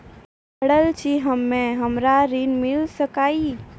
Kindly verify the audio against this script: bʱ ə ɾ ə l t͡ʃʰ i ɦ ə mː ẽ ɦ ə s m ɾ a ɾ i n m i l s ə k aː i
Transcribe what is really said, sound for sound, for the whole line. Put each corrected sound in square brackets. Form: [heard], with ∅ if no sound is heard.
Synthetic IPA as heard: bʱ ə [ɽ] ə l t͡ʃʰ i ɦ ə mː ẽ ɦ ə [∅] m ɾ a ɾ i n m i l s ə k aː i